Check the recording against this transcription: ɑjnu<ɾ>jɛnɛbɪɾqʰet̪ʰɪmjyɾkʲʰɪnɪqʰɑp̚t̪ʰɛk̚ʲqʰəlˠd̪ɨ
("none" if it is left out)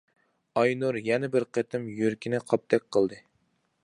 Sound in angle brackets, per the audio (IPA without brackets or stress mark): ɾ